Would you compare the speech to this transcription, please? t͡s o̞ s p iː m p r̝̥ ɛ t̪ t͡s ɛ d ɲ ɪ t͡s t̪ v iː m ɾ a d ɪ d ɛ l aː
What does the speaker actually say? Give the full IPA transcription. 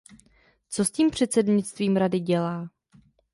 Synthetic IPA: t͡s o̞ s c iː m p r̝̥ ɛ t̪ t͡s ɛ d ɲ ɪ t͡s t̪ v iː m ɾ a d ɪ ɟ ɛ l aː